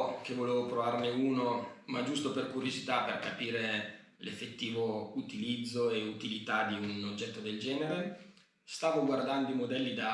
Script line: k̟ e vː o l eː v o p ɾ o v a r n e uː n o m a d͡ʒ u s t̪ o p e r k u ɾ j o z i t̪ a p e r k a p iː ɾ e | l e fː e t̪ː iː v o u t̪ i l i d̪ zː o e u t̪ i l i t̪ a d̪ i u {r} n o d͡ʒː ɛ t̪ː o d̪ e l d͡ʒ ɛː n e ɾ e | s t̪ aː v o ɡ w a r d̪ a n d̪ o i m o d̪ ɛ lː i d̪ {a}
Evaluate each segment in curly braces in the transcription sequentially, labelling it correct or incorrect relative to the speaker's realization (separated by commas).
incorrect, correct